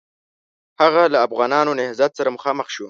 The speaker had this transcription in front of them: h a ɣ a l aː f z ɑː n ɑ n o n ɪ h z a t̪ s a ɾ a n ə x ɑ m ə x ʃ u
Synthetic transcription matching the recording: h a ɣ a l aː f ɣ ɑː n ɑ n o n ɪ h z a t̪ s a ɾ a m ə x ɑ m ə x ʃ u